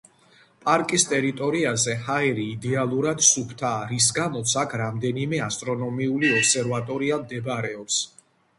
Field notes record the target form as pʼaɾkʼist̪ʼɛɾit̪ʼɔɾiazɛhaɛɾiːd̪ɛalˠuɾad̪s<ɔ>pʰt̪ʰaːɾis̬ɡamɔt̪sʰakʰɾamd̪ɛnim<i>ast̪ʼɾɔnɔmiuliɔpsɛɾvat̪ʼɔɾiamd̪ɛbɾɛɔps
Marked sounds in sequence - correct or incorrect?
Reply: incorrect: u, incorrect: ɛ

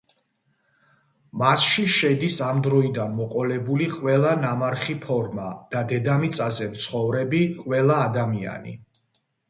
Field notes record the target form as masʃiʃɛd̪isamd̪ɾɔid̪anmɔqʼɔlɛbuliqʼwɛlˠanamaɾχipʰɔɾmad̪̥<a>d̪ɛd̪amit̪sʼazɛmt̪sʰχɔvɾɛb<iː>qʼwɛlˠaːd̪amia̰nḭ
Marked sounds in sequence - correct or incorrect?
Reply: correct, incorrect: i

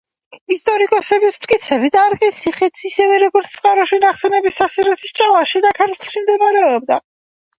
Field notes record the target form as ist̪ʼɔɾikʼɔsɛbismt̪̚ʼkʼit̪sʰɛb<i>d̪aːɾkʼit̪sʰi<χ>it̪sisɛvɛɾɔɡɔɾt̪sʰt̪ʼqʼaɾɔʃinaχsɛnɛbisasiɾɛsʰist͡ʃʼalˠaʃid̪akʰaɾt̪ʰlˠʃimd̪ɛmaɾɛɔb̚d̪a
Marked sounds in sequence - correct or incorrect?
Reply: correct, correct

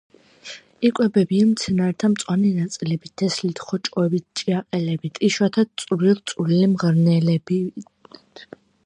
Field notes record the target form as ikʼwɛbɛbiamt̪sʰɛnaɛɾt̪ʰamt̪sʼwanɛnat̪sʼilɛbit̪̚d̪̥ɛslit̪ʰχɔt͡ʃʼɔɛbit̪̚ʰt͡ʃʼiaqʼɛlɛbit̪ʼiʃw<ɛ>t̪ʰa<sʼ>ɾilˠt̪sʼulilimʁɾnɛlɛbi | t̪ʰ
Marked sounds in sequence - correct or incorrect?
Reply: incorrect: a, correct

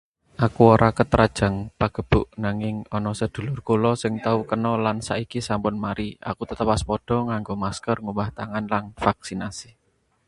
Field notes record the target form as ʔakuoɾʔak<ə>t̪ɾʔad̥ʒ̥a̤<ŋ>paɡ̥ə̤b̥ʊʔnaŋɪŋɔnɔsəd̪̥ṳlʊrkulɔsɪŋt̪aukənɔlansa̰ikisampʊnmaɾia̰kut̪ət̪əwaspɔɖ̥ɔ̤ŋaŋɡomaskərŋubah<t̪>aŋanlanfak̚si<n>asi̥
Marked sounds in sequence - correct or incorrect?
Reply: correct, correct, correct, correct

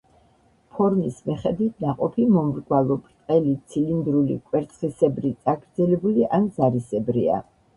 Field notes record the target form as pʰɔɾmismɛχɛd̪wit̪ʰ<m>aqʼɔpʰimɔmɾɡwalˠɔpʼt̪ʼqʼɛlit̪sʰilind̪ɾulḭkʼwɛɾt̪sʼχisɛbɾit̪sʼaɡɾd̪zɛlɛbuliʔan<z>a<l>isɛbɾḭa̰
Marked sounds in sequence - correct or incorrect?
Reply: incorrect: n, correct, incorrect: ɾ

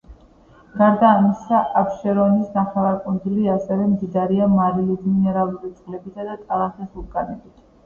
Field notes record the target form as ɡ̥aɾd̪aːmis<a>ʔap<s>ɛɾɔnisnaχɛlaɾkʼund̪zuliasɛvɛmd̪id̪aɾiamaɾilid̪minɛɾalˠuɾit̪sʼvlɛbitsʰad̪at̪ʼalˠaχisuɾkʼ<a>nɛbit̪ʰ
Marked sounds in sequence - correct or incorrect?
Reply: correct, incorrect: ʃ, correct

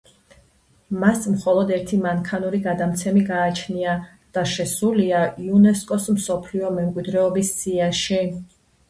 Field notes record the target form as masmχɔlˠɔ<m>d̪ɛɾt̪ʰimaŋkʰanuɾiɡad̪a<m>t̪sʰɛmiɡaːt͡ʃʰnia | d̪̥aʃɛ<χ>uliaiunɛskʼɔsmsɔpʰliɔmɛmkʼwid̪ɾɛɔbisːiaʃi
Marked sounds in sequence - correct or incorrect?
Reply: incorrect: none, correct, incorrect: s

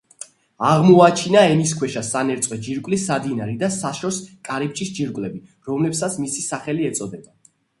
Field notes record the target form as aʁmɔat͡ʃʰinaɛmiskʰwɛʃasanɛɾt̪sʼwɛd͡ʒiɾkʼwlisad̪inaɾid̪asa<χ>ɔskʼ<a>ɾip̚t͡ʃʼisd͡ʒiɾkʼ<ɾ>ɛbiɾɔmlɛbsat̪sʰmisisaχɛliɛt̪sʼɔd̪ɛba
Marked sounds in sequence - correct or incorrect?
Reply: incorrect: ʃ, correct, incorrect: l

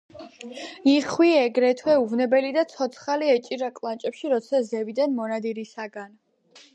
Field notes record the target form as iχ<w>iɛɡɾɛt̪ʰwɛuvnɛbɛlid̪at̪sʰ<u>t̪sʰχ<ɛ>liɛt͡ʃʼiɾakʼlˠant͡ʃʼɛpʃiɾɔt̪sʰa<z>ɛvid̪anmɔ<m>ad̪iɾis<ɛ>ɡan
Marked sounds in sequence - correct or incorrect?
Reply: correct, incorrect: ɔ, incorrect: a, correct, incorrect: n, incorrect: a

